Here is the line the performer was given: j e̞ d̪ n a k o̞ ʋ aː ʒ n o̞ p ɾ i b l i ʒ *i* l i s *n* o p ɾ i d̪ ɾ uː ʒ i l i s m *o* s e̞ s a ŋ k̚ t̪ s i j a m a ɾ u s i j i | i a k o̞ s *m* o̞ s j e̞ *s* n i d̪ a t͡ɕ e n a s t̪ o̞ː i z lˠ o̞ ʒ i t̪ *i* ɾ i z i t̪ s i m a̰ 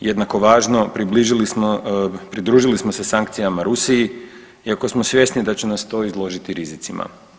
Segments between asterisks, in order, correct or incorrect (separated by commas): correct, incorrect, correct, correct, correct, correct